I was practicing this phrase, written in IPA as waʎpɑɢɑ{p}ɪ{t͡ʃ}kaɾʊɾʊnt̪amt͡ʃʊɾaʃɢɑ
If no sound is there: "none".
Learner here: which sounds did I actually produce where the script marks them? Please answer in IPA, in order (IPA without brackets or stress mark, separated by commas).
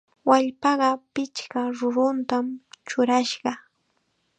p, t͡ʃ